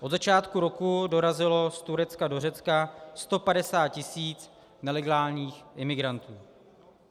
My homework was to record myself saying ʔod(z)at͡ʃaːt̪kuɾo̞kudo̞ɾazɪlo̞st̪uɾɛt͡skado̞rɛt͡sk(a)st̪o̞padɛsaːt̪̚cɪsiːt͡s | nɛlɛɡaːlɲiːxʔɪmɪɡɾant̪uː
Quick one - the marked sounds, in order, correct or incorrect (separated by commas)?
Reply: correct, correct